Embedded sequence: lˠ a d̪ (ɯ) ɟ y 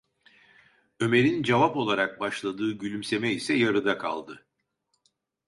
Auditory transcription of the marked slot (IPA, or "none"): ɯː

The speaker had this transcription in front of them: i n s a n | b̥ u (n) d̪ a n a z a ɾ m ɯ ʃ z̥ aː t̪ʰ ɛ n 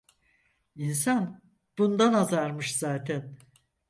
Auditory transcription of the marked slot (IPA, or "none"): n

